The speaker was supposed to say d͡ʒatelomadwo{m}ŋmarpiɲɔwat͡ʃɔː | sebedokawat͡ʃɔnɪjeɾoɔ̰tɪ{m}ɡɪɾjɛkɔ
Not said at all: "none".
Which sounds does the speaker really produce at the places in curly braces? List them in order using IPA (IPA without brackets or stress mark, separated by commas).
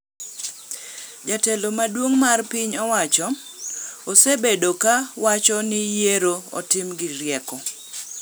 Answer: none, m